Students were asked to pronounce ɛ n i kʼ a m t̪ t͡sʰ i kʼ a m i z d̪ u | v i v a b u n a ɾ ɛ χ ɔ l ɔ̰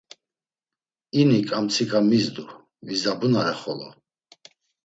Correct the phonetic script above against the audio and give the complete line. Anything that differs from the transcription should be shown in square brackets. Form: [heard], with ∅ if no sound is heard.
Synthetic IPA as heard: [i] n i kʼ a m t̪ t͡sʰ i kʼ a m i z d̪ u | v i [z] a b u n a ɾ ɛ χ ɔ l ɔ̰